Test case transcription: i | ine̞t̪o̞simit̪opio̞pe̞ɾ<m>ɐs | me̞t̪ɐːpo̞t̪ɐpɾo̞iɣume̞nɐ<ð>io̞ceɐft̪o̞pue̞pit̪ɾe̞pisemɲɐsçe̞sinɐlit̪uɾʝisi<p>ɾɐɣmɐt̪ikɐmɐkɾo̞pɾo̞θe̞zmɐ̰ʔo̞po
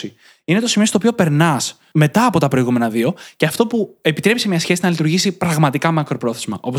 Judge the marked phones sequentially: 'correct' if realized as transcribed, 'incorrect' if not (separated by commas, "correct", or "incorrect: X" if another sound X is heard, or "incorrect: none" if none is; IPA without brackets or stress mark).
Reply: incorrect: n, correct, correct